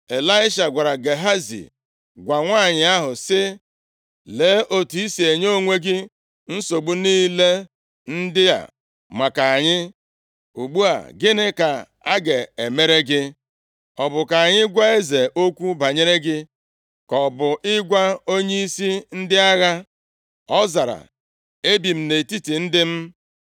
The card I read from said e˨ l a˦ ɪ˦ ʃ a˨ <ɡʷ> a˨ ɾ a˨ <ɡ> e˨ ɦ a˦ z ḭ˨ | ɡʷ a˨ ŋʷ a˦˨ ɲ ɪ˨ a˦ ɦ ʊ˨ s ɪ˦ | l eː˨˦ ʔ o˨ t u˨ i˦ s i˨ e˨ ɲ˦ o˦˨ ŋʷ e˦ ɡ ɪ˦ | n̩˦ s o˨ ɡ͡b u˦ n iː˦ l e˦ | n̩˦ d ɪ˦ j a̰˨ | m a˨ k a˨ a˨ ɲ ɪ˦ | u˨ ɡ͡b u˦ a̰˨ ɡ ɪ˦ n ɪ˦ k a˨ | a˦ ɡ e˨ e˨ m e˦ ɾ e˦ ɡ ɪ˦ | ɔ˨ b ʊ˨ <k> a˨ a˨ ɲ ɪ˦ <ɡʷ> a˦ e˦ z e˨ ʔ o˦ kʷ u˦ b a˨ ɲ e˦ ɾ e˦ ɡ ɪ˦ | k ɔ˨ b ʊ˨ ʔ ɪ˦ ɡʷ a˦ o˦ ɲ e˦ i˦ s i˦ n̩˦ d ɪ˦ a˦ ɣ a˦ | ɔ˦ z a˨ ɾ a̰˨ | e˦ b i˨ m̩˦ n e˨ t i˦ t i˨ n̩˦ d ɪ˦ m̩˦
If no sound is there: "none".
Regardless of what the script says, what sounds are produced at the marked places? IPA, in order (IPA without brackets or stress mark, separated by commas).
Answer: ɡʷ, ɡ, k, ɡʷ